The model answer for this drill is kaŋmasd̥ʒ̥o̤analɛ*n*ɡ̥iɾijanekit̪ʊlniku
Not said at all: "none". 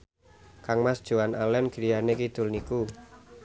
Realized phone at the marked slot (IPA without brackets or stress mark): n